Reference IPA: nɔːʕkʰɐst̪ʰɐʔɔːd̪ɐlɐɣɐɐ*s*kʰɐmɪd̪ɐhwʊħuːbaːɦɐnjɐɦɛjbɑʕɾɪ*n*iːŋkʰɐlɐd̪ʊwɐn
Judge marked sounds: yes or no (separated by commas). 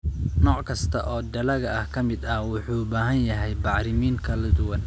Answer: no, no